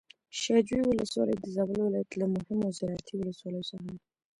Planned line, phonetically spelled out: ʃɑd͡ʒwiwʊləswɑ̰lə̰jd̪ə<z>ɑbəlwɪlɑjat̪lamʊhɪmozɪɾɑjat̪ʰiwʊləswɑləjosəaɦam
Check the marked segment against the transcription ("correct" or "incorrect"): correct